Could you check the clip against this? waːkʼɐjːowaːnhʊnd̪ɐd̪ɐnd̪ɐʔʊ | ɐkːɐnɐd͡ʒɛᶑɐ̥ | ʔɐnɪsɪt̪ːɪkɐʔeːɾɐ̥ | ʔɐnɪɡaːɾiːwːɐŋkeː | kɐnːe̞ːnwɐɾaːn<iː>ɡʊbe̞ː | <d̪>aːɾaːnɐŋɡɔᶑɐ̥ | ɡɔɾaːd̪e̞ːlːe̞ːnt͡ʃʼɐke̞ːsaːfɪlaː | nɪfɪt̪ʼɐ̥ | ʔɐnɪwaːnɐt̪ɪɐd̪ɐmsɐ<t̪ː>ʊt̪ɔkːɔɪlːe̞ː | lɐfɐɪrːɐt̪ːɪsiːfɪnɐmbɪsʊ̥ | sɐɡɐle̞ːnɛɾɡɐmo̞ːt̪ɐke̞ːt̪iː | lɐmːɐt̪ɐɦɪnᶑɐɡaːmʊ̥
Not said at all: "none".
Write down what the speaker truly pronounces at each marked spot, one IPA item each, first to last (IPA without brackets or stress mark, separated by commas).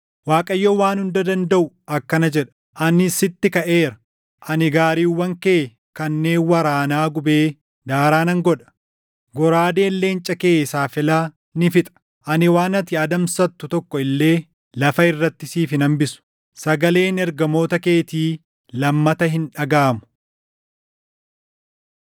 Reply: aː, d̪, t̪ː